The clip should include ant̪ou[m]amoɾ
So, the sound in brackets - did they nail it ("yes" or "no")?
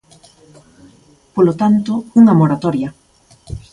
no